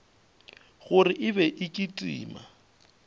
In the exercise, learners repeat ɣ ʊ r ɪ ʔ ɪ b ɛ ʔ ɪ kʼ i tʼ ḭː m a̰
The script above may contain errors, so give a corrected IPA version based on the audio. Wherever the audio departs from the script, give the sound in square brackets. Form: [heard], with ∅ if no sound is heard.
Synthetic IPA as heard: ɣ ʊ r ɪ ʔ ɪ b ɛ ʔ ɪ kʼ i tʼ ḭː m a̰